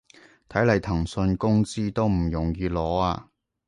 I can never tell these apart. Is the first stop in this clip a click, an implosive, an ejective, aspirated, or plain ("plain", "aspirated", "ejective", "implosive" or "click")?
aspirated